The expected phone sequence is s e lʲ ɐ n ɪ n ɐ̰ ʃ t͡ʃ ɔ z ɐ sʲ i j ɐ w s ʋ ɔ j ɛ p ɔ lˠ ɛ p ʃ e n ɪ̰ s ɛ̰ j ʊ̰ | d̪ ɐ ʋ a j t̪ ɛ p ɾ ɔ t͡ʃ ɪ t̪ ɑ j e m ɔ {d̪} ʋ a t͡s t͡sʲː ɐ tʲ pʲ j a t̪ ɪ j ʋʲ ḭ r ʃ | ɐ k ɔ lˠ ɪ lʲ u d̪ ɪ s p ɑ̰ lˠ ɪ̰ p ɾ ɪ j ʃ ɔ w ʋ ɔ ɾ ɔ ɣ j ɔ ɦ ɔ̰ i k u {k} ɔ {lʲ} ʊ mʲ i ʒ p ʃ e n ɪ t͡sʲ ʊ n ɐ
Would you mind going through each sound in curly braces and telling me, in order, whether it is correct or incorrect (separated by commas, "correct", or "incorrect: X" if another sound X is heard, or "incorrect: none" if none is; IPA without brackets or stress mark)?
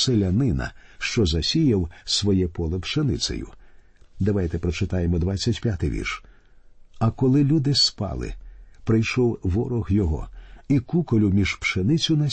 correct, correct, correct